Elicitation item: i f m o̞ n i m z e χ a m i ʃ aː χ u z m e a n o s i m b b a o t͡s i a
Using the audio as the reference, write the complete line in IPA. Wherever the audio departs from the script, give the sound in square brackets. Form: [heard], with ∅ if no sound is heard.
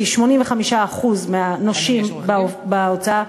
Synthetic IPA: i [ʃ] m o̞ n i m [v] e χ a m i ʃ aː χ u z m e a n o [ʃ] i m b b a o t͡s [a] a

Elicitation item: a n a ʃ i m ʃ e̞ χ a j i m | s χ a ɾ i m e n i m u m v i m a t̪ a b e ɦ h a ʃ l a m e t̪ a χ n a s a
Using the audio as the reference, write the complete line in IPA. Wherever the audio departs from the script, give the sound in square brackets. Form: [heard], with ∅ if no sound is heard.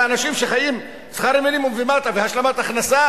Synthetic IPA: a n a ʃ i m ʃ e̞ χ a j i m | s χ a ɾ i m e n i m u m v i m a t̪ a [v] e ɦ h a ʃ l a m [a] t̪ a χ n a s a

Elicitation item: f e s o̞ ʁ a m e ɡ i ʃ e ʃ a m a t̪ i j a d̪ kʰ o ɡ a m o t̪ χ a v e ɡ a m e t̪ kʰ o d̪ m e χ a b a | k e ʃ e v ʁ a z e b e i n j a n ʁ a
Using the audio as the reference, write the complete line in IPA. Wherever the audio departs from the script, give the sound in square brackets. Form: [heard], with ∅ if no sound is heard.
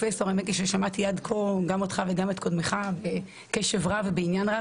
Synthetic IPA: f e s o̞ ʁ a m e [k] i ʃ e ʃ a m a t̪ i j a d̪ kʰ o ɡ a m o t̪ χ a v e ɡ a m e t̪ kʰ o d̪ m e χ a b [e] | k e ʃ e v ʁ a [v] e b e i n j a n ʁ a

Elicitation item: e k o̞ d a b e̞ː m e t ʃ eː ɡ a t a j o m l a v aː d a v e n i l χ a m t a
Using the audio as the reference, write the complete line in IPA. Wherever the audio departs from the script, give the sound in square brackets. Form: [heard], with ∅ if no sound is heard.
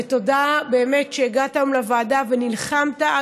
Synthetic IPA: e [t] o̞ d a b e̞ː m e t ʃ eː ɡ a t a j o m l a v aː d a v e n i l χ a m t a

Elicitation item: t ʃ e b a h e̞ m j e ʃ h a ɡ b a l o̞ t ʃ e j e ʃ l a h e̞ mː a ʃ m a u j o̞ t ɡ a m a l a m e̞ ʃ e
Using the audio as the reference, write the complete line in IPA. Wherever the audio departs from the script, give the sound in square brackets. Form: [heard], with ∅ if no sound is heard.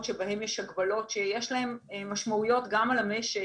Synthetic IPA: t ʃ e b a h e̞ m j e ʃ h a ɡ b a l o̞ t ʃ e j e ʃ l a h e̞ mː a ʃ m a u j o̞ t ɡ a m a l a m e̞ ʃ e

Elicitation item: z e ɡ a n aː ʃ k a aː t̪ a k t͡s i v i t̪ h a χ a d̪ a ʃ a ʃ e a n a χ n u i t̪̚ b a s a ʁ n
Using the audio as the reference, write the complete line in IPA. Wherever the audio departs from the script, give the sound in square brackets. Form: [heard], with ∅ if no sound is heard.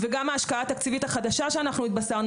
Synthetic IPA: [v] e ɡ a [m] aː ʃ k a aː t̪ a k t͡s i v i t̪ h a χ a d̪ a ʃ a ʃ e a n a χ n u i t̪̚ b a s a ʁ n

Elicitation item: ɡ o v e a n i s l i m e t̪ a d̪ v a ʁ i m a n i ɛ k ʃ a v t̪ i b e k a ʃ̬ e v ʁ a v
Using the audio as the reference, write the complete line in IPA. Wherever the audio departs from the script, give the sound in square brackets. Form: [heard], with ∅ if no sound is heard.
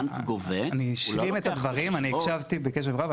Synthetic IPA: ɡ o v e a n i [ʃ] l i m e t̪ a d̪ v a ʁ i m a n i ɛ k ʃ a v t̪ i b e k [e] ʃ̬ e v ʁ a v

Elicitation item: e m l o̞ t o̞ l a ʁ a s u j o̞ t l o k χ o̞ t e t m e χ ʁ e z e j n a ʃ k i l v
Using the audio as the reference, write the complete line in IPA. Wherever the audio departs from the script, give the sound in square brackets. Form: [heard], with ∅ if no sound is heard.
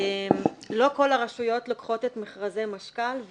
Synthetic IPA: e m l o̞ [k] o̞ l a ʁ a [ʃ] u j o̞ t l o k χ o̞ t e t m e χ ʁ [a] z e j [m] a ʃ k [a] l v

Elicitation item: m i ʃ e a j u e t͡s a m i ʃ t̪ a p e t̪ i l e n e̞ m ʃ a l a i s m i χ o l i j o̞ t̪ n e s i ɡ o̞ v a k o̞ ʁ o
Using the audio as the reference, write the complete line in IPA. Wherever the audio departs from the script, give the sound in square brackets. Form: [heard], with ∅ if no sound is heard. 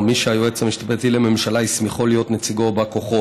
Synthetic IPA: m i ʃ e a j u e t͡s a m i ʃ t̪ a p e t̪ i l e [m] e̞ m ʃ a l a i s m i χ o l i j o̞ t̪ n e [t͡s] i ɡ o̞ [b] a k o̞ [χ] o

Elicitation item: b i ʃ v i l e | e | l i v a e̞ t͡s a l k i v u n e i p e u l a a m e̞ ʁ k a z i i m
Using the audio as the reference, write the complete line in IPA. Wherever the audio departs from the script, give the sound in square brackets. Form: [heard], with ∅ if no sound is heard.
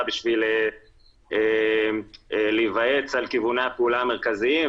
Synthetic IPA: b i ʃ v i l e | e | l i v a e̞ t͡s a l k i v u n e [a] p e u l a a m e̞ ʁ k a z i i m

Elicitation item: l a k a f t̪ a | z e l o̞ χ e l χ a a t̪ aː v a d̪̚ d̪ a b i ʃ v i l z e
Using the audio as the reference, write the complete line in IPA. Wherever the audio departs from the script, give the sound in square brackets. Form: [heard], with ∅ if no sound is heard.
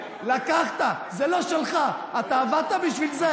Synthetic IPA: l a k a [χ] t̪ a | z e l o̞ [ʃ] e l χ a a t̪ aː v a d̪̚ [t̪] a b i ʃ v i l z e

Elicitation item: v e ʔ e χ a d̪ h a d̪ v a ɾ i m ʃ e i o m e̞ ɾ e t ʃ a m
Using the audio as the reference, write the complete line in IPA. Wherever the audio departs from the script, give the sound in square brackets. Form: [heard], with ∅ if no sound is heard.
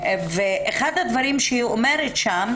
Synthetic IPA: v e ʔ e χ a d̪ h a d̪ v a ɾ i m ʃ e i o m e̞ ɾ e t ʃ a m

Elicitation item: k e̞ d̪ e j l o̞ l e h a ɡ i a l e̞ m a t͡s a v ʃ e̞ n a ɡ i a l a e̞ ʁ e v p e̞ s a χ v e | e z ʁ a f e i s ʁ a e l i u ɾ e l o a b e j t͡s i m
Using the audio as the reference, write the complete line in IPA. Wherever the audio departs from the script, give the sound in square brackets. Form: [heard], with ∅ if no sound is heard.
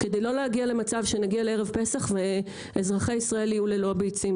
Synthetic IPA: k e̞ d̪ e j l o̞ l e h a ɡ i a l e̞ m a t͡s a v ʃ e̞ n a ɡ i a l [e] e̞ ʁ e v p e̞ s a χ v e | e z ʁ a [χ] e i s ʁ a e l i u [l] e l o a b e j t͡s i m

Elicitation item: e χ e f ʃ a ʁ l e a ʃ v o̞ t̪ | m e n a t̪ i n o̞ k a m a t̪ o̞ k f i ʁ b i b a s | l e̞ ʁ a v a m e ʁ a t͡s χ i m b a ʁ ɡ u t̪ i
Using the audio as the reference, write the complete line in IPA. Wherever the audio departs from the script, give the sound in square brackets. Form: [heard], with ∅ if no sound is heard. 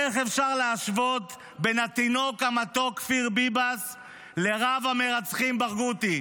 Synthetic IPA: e χ e f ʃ a ʁ l e a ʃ v o̞ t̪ | [b] e n a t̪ i n o̞ k a m a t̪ o̞ k f i ʁ b i b a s | l e̞ ʁ a v a m e ʁ a t͡s χ i m b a ʁ ɡ u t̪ i

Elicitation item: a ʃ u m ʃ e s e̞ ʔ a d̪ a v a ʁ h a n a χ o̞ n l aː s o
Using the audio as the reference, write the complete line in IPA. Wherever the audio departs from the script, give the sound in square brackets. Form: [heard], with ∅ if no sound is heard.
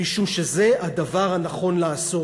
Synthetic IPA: [i] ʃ u m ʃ e [z] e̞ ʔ a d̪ a v a ʁ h a n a χ o̞ n l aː s o

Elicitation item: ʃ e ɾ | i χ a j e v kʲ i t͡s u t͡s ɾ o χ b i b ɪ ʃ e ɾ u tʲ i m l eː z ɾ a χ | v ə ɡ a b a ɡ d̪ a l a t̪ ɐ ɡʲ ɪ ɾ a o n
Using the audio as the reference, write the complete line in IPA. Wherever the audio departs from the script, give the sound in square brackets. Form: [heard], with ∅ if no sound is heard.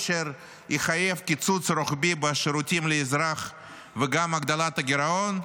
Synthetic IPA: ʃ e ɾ | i χ a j e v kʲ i t͡s u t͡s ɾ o χ b i b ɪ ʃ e ɾ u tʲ i m l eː z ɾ a χ | v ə ɡ a [m] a ɡ d̪ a l a t̪ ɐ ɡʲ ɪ ɾ a o n

